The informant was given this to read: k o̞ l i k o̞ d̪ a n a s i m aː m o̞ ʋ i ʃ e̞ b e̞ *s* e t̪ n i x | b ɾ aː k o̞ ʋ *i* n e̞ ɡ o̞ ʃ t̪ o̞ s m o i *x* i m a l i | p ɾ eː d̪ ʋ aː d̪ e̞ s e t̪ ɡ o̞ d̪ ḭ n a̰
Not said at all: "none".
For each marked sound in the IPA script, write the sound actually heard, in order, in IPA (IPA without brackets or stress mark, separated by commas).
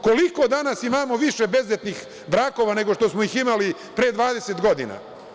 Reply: z, a, x